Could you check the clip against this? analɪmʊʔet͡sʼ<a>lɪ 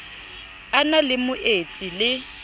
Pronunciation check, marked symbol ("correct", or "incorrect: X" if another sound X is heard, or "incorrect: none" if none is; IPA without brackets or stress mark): incorrect: i